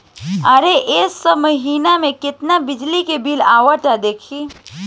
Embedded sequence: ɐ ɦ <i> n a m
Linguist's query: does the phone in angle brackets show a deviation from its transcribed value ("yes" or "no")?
yes